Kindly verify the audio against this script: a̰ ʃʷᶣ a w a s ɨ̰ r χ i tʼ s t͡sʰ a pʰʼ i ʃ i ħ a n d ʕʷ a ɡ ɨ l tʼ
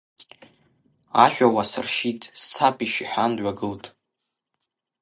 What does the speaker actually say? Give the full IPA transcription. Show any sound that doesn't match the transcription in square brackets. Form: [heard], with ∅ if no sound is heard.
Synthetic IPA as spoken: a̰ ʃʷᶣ a w a s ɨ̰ r [ʃ] i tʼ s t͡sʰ a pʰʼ i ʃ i ħ a n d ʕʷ a ɡ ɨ l tʼ